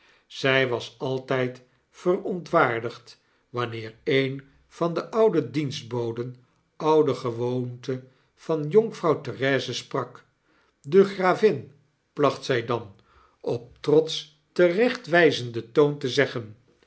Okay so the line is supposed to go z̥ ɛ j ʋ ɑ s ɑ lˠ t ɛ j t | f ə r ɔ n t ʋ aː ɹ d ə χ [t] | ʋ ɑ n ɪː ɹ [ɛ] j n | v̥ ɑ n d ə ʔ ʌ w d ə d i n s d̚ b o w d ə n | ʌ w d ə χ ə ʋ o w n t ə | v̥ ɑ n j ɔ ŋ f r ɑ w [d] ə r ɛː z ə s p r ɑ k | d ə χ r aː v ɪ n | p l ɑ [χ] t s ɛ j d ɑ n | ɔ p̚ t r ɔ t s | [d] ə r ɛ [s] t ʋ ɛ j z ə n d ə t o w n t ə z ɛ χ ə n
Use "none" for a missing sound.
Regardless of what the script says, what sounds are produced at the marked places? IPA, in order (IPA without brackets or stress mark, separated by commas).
t, e, t, χ, t, χ